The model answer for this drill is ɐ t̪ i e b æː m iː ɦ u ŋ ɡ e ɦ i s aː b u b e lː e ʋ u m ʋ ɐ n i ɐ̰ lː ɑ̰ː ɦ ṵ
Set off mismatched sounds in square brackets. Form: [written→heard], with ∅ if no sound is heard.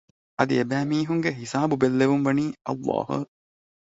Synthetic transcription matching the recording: ɐ [t̪→d̪] i e b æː m iː ɦ u ŋ ɡ e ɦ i s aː b u b e lː e ʋ u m ʋ ɐ n [i→iː] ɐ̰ lː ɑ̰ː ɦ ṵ